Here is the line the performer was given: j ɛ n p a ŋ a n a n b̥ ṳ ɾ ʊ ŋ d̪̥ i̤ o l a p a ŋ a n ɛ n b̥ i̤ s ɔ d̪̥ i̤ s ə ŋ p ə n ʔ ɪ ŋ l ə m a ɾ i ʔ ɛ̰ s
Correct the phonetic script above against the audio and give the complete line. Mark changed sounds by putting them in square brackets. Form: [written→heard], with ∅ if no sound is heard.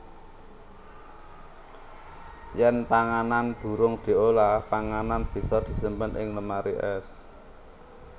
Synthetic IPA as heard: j ɛ n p a ŋ a n a n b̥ ṳ ɾ ʊ ŋ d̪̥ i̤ o l a p a ŋ a n [ɛ→a] n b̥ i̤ s ɔ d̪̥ i̤ s ə [ŋ→m] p ə n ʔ ɪ ŋ l ə m a ɾ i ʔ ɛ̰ s